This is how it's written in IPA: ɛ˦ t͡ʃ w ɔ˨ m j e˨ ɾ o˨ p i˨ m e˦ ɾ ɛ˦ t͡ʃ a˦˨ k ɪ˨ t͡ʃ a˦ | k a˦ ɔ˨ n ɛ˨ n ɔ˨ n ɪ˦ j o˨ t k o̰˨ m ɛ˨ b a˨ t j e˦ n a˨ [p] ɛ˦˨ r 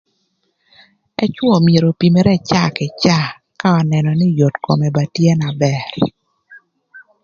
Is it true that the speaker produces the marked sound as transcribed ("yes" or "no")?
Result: no